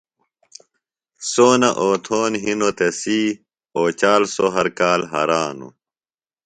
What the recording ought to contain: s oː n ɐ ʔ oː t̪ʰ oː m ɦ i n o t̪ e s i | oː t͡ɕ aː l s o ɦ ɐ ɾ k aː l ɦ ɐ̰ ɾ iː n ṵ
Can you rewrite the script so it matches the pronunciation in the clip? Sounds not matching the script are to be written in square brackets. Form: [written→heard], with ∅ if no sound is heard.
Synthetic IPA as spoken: s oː n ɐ ʔ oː t̪ʰ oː [m→n] ɦ i n o t̪ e s i | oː t͡ɕ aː l s o ɦ ɐ ɾ k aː l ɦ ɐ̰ ɾ [iː→aː] n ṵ